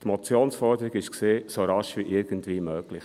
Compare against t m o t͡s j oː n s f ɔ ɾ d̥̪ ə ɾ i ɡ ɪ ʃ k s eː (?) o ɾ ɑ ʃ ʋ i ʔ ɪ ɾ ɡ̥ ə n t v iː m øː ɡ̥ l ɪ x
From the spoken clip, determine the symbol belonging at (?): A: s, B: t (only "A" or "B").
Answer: A